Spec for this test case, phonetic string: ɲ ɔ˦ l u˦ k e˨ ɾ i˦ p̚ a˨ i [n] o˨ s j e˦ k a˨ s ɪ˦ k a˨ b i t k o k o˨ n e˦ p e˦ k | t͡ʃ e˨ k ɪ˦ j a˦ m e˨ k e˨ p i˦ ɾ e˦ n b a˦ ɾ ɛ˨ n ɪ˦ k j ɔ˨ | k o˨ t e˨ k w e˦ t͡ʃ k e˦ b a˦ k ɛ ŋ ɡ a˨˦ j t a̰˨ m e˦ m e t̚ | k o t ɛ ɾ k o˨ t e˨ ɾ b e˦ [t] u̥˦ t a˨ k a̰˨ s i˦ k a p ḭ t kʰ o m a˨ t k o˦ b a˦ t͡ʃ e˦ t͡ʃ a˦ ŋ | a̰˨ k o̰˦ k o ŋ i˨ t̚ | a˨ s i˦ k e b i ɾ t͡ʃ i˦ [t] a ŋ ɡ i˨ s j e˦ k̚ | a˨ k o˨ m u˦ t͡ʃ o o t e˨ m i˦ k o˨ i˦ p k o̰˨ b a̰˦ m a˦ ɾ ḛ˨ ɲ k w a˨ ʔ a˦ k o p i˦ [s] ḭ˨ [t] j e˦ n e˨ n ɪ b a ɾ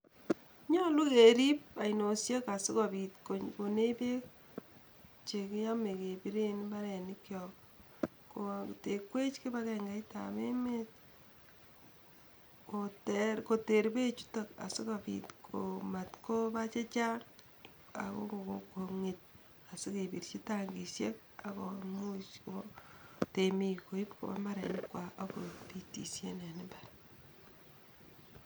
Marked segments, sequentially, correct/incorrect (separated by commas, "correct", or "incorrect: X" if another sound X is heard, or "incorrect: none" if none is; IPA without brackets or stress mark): correct, incorrect: t͡ʃ, correct, incorrect: t, incorrect: s